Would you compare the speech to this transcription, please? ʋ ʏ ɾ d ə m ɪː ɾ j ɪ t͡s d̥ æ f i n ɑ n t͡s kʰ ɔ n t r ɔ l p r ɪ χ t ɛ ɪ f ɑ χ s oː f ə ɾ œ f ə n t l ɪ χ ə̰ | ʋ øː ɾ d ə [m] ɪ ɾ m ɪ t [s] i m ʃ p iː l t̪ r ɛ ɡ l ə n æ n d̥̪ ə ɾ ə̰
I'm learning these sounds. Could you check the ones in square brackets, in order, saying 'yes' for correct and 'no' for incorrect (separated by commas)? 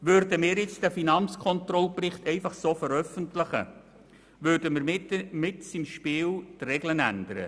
yes, yes